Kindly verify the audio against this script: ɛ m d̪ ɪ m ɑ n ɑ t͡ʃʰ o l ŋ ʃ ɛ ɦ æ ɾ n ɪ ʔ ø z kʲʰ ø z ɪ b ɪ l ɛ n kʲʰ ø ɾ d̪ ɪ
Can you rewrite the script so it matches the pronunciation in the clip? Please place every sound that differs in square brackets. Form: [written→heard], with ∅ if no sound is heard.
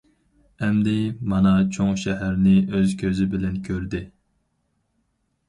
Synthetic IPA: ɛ m d̪ ɪ m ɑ n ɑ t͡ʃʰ o [l→∅] ŋ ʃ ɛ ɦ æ ɾ n ɪ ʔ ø z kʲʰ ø z ɪ b ɪ l ɛ n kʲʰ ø ɾ d̪ ɪ